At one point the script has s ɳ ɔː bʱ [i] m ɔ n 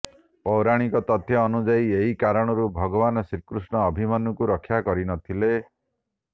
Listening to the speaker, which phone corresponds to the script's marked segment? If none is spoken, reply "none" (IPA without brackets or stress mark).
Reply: i